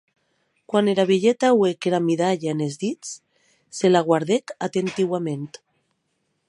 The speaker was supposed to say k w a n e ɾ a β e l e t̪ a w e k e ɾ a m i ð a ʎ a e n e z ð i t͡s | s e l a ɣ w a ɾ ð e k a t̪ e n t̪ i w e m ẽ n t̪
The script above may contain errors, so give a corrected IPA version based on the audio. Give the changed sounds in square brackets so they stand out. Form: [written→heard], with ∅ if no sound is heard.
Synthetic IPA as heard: k w a n e ɾ a β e [l→ʎ] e t̪ a w e k e ɾ a m i ð a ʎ a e n e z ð i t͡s | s e l a ɣ w a ɾ ð e k a t̪ e n t̪ i w [e→a] m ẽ n t̪